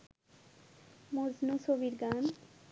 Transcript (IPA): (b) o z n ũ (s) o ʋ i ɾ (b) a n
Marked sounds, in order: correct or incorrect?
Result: incorrect: m, correct, incorrect: ɡ

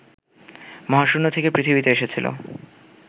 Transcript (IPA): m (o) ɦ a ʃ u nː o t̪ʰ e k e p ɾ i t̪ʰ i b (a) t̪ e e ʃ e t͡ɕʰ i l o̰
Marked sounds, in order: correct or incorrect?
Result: incorrect: ɔ, incorrect: i

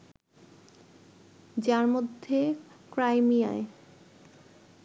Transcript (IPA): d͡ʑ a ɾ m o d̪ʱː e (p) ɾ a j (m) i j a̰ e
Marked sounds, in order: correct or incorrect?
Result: incorrect: k, correct

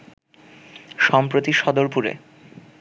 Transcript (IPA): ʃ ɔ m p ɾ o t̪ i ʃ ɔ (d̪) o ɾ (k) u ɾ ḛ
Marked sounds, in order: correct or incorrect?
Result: correct, incorrect: p

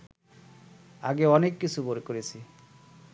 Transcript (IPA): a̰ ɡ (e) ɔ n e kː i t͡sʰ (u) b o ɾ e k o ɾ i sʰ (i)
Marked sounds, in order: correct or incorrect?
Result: correct, correct, correct

